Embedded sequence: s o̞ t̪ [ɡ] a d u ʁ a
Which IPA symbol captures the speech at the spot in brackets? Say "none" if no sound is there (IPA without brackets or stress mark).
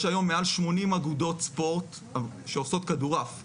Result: k